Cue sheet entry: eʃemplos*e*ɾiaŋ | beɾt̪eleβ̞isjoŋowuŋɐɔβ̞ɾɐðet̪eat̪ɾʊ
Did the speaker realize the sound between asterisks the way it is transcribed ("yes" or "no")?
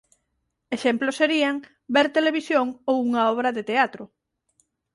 yes